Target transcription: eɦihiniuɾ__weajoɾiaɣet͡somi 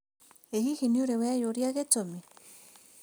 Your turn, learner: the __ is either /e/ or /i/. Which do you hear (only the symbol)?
e